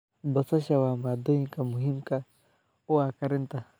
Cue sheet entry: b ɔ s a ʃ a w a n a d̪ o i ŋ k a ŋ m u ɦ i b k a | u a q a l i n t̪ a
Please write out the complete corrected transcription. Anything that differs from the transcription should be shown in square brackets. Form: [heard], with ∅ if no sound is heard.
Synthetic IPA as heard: b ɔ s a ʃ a w a [m] a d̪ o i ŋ k a [∅] m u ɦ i [m] k a | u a [k] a [ɾ] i n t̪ a